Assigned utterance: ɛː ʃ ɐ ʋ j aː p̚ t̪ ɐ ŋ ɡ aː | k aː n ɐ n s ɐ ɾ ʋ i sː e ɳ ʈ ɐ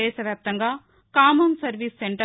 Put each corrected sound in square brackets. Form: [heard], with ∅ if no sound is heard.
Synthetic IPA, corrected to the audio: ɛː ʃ ɐ ʋ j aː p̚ t̪ ɐ ŋ ɡ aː | k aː [m] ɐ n s ɐ ɾ ʋ i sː e ɳ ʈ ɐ